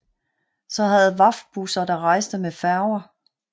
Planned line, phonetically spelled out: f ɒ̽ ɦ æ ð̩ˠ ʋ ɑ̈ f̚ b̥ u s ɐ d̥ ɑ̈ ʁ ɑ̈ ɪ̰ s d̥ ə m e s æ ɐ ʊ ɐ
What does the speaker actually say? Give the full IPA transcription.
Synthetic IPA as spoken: s ɒ̽ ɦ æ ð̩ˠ ʋ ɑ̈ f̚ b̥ u s ɐ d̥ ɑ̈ ʁ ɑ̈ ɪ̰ s d̥ ə m e f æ ɐ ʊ ɐ